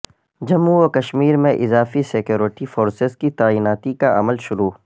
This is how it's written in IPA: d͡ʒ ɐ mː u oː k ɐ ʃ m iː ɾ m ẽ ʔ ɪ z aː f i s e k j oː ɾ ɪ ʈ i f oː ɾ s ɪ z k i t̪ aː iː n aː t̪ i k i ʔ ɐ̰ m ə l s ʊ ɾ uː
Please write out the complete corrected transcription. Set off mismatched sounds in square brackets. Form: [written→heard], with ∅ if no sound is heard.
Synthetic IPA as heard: d͡ʒ ɐ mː u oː k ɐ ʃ m iː ɾ m ẽ ʔ ɪ z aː f i s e k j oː ɾ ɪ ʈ i f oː ɾ s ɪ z k i t̪ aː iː n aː t̪ i k [i→a] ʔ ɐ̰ m ə l [s→ʃ] ʊ ɾ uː